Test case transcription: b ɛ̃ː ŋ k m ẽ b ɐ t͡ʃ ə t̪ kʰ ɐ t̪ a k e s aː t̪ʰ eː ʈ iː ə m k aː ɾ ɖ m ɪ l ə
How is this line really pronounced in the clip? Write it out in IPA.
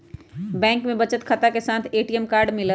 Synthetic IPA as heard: b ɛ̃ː ŋ k m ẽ b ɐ t͡ʃ ə t̪ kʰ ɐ t̪ a k e s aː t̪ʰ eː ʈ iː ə m k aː ɾ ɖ m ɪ l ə